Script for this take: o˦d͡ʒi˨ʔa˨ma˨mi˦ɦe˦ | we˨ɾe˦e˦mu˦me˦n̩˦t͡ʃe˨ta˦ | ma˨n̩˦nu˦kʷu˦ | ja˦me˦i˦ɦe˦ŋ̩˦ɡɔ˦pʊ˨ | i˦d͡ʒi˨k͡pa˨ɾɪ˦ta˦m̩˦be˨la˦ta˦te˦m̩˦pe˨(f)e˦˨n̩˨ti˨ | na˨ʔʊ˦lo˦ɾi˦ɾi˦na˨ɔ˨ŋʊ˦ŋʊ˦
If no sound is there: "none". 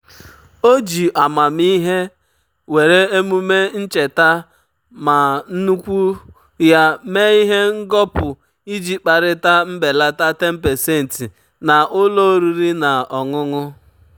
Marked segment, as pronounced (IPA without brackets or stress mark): s